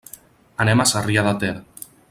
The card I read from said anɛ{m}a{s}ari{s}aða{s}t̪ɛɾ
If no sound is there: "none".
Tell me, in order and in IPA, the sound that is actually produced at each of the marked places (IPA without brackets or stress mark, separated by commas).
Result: m, s, none, none